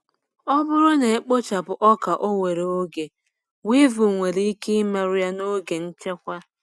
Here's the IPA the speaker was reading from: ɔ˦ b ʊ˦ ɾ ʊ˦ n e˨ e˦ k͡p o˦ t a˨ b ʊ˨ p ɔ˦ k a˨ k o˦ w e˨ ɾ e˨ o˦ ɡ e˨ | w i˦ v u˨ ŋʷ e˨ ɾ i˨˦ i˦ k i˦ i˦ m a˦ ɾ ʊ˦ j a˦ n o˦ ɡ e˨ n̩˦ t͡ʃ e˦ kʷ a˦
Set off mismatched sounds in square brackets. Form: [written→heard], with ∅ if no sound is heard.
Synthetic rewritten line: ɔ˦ b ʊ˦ ɾ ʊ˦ n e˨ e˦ k͡p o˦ [t→t͡ʃ] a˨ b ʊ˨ [p→ʔ] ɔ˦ k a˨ [k→ʔ] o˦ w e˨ ɾ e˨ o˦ ɡ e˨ | w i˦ v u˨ ŋʷ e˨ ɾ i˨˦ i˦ k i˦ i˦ m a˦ ɾ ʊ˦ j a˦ n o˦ ɡ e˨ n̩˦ t͡ʃ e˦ kʷ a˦